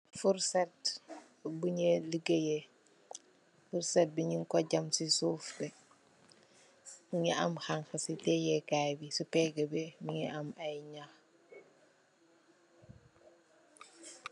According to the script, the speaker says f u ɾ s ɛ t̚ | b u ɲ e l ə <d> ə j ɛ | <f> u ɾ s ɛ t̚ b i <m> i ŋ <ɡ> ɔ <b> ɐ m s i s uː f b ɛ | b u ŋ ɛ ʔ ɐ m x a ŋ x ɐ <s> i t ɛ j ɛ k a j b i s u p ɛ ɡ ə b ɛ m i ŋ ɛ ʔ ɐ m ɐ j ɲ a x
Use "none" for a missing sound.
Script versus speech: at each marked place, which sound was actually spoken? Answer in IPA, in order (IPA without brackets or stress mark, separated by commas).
ɡ, f, ɲ, k, ɟ, s